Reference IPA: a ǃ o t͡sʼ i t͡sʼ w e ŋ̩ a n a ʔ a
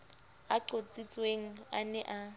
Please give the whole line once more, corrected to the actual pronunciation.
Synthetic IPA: a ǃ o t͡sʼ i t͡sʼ w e ŋ̩ a n ɛ ʔ a